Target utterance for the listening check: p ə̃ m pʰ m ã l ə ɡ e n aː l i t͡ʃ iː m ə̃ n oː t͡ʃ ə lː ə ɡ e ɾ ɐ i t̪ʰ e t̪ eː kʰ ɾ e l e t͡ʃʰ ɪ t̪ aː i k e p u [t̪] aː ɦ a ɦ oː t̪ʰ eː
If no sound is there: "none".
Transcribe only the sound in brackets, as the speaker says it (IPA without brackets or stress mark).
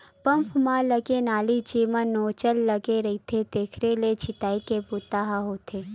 t̪